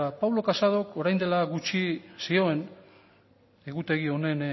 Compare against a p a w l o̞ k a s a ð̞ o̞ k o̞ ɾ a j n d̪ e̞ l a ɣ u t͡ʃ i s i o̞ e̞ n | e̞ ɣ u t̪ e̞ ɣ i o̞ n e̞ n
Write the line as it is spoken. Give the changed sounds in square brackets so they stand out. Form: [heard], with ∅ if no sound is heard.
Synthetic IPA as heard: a p a w l o̞ k a s a ð̞ o̞ k o̞ ɾ a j n d̪ e̞ l a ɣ u t͡ʃ i s i o̞ e̞ n | e̞ ɣ u t̪ e̞ ɣ i o̞ n e̞ n